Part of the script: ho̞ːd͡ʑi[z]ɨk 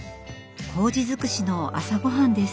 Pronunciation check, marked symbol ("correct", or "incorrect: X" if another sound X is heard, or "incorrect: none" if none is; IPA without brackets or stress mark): correct